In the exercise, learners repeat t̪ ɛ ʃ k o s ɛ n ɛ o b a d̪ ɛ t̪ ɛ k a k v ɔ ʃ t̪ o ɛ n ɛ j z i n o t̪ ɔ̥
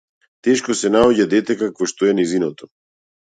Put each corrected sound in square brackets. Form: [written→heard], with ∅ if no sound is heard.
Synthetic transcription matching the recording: t̪ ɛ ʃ k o s ɛ n [ɛ→a] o [b→ɟ] a d̪ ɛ t̪ ɛ k a k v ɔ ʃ t̪ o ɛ n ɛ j z i n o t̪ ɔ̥